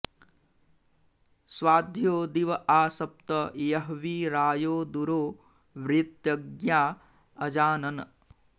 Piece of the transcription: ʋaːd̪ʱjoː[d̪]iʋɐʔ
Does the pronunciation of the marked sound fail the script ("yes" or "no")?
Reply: no